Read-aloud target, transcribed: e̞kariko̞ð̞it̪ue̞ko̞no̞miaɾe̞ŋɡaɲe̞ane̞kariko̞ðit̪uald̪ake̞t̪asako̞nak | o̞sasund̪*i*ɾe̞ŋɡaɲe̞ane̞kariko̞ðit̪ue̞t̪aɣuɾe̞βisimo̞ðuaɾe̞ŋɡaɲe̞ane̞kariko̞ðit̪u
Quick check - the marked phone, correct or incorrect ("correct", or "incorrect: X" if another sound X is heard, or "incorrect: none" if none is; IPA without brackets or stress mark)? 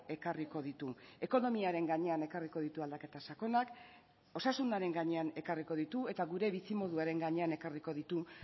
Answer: incorrect: a